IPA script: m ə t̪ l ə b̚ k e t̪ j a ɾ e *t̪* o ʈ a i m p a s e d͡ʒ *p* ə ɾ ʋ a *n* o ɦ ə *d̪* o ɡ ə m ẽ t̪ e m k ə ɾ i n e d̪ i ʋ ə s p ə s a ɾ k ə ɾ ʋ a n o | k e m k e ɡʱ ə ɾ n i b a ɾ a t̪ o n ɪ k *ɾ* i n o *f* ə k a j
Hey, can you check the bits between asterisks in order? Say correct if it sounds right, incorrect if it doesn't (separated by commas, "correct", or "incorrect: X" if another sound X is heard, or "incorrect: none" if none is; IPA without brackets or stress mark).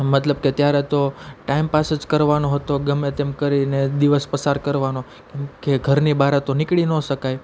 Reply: correct, incorrect: k, correct, incorrect: t̪, incorrect: ɭ, incorrect: ʃ